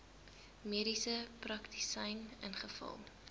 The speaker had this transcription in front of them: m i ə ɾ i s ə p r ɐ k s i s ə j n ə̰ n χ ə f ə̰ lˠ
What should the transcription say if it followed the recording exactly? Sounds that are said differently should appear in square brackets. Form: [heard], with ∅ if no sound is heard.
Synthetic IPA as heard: m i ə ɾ i s ə p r ɐ k [t] i s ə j n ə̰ n χ ə f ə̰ lˠ